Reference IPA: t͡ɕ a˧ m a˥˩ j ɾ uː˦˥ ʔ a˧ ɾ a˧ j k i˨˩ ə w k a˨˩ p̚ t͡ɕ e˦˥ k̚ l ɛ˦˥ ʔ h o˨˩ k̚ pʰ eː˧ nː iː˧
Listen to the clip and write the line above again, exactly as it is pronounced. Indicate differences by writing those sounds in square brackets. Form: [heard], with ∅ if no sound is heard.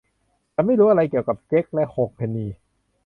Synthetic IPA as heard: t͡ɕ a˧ m a˥˩ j ɾ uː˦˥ ʔ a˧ ɾ a˧ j k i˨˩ ə w k a˨˩ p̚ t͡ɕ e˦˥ k̚ l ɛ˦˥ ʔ h o˨˩ k̚ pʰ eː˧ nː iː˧